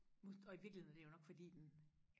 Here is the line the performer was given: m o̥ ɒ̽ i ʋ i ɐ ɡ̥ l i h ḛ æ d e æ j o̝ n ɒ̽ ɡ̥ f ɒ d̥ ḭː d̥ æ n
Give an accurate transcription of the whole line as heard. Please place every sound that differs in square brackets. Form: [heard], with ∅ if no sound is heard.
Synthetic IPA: m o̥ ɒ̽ i ʋ i ɐ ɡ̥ l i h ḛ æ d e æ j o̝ n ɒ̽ ɡ̥ f ɒ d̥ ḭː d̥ [e] n